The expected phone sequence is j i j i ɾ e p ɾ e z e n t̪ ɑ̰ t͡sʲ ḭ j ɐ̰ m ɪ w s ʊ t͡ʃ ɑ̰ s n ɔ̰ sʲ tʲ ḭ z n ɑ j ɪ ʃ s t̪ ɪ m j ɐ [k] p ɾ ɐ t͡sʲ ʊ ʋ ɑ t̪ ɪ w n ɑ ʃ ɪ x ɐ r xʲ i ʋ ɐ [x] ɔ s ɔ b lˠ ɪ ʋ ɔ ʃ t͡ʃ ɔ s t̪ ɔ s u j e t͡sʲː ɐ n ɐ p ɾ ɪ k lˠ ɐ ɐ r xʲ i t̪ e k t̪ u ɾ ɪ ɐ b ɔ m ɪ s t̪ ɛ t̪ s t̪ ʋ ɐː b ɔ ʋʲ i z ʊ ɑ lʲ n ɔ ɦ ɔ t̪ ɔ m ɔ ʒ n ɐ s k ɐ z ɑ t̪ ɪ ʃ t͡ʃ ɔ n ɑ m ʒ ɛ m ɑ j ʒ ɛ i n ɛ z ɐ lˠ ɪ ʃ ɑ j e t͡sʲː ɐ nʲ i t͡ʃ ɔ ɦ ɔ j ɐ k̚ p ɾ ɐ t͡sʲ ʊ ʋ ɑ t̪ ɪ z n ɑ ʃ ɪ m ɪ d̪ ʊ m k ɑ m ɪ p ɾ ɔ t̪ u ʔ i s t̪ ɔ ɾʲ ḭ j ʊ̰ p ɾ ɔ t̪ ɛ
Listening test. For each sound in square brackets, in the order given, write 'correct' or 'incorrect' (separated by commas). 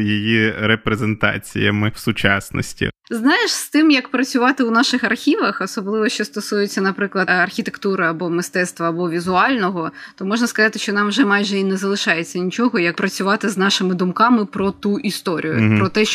correct, correct